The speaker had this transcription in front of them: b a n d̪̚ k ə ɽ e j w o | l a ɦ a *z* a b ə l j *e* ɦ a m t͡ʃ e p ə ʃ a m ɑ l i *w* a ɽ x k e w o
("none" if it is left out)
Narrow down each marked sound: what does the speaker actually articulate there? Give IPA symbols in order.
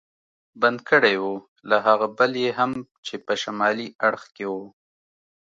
ɣ, e, none

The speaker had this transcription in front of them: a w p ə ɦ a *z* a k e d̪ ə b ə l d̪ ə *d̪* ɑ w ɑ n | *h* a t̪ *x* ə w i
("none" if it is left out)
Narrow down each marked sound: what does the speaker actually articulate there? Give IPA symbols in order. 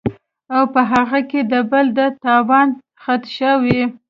ɣ, t̪, x, ʃ

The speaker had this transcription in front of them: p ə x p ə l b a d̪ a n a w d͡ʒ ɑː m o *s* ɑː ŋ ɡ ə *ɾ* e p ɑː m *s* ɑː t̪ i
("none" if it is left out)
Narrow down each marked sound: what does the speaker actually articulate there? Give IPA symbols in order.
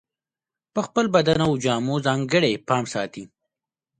z, ɽ, s

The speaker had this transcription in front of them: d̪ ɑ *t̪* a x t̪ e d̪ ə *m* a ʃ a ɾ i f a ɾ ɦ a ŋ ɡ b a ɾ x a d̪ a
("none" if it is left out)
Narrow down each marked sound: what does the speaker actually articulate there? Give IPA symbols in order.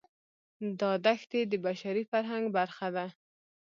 d̪, b

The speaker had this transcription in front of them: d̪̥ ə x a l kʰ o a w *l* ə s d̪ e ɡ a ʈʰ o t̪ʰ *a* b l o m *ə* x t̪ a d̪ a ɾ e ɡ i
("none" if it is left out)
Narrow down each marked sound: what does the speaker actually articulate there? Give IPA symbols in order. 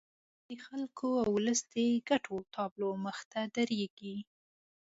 l, ɑ, ə

